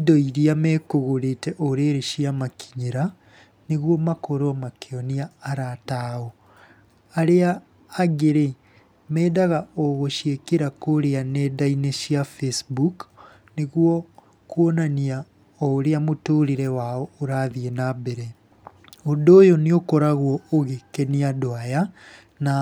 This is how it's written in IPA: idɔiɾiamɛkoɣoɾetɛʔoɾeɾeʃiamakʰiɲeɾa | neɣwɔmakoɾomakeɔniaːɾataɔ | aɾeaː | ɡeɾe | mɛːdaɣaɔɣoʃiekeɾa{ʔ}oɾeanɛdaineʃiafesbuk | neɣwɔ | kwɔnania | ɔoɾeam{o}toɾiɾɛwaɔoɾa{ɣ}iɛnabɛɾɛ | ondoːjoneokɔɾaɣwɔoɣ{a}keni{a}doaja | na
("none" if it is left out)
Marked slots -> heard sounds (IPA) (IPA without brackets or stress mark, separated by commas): k, o, ð, e, a